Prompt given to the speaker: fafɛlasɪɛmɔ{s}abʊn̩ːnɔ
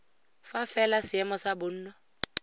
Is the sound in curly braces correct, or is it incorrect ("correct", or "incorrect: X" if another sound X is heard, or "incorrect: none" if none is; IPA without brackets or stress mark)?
correct